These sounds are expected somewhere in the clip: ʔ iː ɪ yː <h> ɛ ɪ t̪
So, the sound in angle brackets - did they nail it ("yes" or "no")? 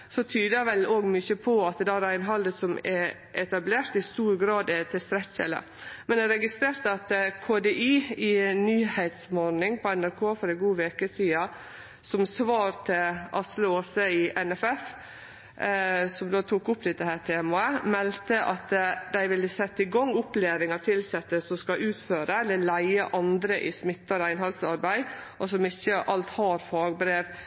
yes